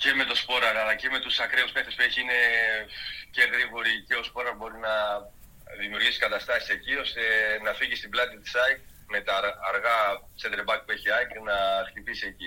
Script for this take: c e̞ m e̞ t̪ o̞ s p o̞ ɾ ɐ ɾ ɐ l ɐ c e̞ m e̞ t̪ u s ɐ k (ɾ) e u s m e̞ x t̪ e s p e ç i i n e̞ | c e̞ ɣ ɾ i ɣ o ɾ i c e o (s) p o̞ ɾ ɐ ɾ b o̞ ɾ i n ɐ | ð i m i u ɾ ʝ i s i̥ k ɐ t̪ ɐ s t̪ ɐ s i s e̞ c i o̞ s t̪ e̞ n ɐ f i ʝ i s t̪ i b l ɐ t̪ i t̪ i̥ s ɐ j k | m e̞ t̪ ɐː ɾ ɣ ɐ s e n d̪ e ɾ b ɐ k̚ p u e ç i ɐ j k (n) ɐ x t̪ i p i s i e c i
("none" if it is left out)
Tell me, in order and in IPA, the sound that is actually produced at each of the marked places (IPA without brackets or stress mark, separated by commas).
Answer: ɾ, s, n